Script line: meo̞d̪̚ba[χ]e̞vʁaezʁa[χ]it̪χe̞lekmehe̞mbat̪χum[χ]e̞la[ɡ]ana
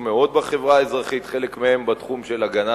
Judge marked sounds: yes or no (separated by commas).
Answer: yes, yes, no, yes